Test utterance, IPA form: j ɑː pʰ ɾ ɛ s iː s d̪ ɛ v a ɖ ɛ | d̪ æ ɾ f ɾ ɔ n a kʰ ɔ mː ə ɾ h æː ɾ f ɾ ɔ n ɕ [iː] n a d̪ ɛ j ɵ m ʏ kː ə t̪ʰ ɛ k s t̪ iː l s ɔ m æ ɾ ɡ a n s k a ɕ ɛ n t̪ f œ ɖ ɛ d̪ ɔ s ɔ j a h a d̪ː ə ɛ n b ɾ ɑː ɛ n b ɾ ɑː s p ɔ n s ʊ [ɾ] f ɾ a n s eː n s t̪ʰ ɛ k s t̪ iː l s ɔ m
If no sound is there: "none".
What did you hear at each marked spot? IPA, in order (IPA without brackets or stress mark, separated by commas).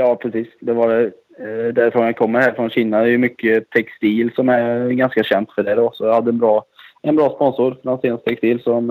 iː, ɾ